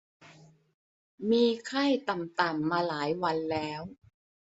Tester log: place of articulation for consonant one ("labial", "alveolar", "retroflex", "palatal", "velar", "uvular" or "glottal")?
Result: labial